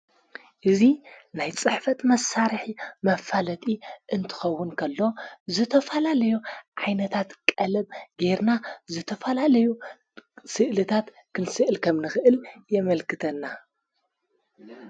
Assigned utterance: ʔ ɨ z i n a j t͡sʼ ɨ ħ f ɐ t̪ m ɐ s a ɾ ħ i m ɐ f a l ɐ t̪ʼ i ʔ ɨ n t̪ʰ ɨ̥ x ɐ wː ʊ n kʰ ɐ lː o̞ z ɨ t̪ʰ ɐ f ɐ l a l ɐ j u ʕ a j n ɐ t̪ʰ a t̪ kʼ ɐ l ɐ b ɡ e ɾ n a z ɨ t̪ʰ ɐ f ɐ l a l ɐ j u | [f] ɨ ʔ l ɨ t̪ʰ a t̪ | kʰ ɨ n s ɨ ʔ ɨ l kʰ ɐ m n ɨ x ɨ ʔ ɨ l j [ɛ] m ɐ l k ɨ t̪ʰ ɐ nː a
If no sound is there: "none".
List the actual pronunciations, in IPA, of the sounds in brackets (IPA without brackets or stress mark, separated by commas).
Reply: s, ɛ